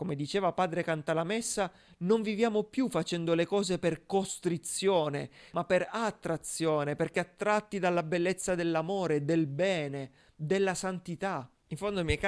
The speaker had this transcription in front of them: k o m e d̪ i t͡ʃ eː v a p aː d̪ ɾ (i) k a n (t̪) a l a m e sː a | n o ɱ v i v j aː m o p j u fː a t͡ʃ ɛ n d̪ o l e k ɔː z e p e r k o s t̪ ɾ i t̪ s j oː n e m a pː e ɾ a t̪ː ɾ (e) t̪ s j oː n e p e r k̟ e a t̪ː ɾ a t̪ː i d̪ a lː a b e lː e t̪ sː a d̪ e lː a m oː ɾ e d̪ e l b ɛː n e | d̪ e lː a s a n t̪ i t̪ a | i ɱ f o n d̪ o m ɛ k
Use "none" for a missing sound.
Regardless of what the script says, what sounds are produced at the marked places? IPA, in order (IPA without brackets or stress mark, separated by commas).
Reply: e, t̪, a